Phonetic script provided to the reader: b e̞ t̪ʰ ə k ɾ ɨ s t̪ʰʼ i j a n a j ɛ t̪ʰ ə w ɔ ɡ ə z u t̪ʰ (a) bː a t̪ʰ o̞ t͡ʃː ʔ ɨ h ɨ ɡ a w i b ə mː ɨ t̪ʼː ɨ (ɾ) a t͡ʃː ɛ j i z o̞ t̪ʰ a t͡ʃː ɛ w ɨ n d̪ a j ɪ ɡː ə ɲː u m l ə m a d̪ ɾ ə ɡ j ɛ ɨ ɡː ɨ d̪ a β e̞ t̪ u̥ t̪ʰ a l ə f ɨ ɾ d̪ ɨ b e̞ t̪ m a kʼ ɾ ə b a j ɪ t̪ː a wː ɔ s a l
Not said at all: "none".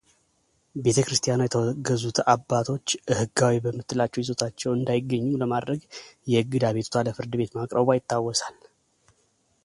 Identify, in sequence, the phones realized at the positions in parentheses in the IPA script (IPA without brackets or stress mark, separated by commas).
a, l